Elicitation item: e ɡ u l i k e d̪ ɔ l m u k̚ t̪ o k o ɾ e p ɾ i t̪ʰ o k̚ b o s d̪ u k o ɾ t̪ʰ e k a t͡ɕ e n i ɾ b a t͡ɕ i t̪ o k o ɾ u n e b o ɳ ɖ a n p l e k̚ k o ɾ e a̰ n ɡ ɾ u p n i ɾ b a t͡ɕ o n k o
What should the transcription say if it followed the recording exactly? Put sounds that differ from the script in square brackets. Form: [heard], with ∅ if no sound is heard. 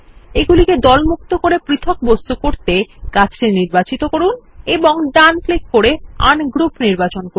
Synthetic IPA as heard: e ɡ u l i k e d̪ ɔ l m u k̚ t̪ o k o ɾ e p ɾ i t̪ʰ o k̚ b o s [t̪] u k o ɾ [t̪] e k a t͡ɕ e n i ɾ b a t͡ɕ i t̪ o k o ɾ u n e b o [ŋ] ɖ a n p l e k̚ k o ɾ e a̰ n ɡ ɾ u p n i ɾ b a t͡ɕ o n k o